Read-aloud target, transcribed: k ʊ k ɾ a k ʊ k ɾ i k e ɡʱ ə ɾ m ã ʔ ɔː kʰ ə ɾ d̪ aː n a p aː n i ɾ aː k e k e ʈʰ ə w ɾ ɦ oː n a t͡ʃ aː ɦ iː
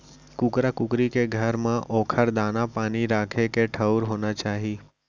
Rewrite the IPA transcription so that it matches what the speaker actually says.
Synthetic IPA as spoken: k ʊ k ɾ a k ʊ k ɾ i k e ɡʱ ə ɾ m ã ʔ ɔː kʰ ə ɾ d̪ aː n a p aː n i ɾ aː kʰ e k e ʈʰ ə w ɾ ɦ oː n a t͡ʃ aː ɦ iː